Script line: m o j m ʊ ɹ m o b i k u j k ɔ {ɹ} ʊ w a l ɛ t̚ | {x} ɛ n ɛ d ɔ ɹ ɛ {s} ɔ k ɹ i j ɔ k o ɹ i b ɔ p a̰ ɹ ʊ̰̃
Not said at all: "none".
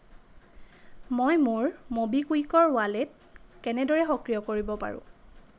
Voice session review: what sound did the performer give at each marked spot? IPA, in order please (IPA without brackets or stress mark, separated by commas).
ɹ, k, x